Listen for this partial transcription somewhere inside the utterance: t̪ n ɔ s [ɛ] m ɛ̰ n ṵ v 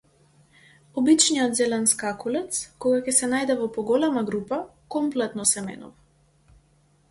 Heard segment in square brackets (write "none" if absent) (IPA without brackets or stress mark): ɛ